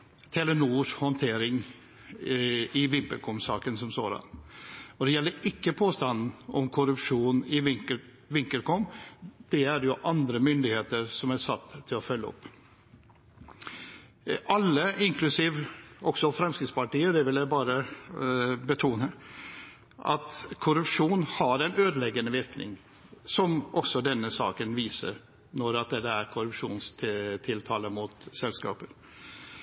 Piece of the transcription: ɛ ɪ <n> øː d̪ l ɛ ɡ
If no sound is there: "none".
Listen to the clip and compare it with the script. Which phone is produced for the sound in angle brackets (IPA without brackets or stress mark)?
n